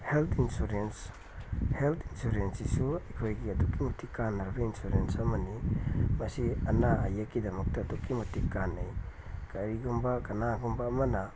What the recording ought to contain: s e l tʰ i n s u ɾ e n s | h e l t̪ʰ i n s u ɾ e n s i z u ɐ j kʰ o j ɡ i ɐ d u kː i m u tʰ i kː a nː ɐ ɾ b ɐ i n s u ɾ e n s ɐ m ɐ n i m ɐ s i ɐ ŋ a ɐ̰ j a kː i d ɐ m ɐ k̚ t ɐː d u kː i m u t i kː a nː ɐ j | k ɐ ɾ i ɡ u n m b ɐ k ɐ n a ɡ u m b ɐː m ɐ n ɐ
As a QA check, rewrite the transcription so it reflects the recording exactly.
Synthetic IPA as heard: h e l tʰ i n s u ɾ e n s | h e l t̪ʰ i n s u ɾ e n s i s u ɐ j kʰ o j ɡ i ɐ d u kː i m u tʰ i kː a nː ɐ ɾ b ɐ i n s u ɾ e n s ɐ m ɐ n i m ɐ s i ɐ n a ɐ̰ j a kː i d ɐ m ɐ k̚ t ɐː d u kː i m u t i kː a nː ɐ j | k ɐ ɾ i ɡ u m b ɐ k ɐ n a ɡ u m b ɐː m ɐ n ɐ